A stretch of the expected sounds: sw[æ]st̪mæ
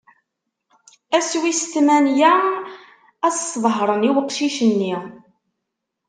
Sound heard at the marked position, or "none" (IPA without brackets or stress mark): i